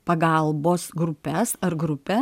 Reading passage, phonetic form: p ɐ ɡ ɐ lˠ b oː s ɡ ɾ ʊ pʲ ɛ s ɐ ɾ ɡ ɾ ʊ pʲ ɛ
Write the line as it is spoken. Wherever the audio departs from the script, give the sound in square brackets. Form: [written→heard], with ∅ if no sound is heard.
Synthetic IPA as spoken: p ɐ ɡ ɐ lˠ b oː s ɡ ɾ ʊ pʲ ɛ s ɐ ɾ ɡ ɾ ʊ pʲ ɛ